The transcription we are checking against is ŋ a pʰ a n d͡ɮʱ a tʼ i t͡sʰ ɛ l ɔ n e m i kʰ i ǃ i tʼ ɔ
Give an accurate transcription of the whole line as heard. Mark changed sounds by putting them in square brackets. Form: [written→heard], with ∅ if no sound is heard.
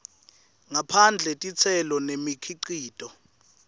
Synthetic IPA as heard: ŋ a pʰ a n d͡ɮʱ [a→ɛ] tʼ i t͡sʰ ɛ l ɔ n e m i kʰ i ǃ [i→iː] tʼ ɔ